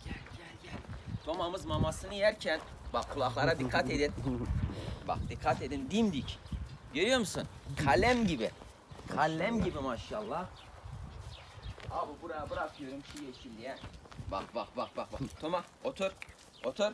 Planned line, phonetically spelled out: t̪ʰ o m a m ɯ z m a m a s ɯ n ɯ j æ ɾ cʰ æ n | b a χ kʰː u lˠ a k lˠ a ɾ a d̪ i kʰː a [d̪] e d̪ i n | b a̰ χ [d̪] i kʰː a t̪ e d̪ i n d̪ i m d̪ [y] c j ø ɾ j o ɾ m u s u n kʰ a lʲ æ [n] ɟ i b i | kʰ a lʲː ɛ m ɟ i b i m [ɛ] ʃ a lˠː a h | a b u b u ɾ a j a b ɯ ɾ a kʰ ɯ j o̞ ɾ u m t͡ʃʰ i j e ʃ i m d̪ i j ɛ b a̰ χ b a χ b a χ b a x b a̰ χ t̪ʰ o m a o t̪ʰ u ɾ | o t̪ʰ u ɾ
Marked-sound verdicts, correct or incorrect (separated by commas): incorrect, correct, incorrect, incorrect, incorrect